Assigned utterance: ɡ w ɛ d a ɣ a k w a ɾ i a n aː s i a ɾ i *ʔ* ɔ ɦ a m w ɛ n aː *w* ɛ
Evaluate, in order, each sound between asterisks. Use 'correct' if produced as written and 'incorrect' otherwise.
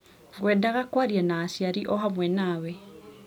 correct, correct

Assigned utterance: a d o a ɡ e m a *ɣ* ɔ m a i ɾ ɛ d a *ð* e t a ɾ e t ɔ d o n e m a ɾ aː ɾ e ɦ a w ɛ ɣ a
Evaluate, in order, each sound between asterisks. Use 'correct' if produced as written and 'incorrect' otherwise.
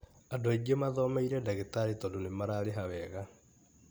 incorrect: ð, incorrect: ɣ

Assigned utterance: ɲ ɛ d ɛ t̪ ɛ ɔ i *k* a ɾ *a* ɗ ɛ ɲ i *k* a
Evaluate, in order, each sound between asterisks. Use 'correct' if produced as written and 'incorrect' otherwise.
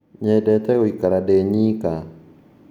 correct, correct, correct

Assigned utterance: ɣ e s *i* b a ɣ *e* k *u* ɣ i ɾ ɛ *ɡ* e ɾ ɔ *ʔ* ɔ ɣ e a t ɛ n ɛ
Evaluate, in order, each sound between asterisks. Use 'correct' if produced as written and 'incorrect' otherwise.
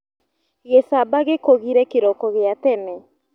incorrect: a, correct, incorrect: o, incorrect: k, incorrect: k

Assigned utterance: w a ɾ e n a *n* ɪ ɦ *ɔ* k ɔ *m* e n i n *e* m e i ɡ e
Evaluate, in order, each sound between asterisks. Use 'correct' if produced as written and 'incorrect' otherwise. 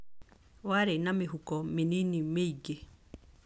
incorrect: m, incorrect: u, correct, incorrect: i

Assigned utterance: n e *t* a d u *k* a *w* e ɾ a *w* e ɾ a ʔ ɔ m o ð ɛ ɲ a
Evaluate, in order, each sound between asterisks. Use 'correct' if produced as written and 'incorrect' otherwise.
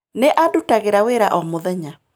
incorrect: ʔ, incorrect: t, incorrect: ɣ, correct

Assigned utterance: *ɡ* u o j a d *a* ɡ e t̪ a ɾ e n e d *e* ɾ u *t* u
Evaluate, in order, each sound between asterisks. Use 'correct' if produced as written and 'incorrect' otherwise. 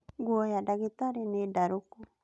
correct, correct, incorrect: a, incorrect: k

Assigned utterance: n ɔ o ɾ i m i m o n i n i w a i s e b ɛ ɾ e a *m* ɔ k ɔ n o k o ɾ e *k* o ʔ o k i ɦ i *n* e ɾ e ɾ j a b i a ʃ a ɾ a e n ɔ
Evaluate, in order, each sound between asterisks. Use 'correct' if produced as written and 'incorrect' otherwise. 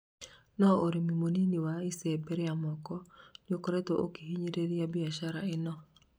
correct, incorrect: t, incorrect: ɲ

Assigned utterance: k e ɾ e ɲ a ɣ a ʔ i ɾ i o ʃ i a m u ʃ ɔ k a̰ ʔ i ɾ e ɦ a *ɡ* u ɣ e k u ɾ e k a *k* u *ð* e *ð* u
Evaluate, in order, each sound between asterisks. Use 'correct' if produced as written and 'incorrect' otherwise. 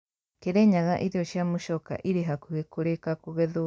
incorrect: k, correct, incorrect: ɣ, correct

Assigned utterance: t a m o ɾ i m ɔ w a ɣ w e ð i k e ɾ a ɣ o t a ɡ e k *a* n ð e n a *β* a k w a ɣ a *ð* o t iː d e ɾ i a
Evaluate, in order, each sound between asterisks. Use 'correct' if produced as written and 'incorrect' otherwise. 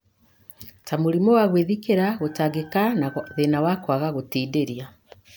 correct, incorrect: w, incorrect: ɣ

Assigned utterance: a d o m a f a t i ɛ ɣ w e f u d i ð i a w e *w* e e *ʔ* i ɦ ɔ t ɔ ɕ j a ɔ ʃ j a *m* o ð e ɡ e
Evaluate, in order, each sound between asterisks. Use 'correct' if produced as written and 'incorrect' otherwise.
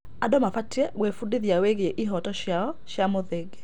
incorrect: ɣ, correct, correct

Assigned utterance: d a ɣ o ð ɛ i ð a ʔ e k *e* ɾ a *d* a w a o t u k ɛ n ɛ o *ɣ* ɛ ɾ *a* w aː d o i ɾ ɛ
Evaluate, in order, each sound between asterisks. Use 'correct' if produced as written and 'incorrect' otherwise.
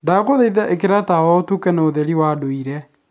correct, incorrect: t, incorrect: ð, incorrect: i

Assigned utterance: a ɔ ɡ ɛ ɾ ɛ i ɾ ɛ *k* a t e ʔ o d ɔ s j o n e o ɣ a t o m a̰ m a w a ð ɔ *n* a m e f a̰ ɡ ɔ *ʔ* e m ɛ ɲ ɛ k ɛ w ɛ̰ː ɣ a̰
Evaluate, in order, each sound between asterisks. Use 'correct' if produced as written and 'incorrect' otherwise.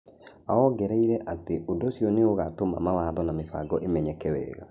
incorrect: ʔ, correct, correct

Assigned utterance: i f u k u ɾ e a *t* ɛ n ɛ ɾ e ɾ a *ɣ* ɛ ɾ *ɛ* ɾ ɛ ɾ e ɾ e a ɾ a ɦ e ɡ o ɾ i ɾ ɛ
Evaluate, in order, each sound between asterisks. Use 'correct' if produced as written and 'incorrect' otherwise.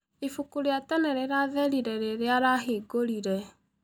correct, incorrect: ð, incorrect: i

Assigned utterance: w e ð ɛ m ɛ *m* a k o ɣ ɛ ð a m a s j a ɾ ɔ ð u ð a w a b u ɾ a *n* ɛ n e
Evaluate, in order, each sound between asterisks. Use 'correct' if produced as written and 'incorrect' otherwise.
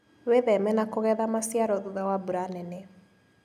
incorrect: n, correct

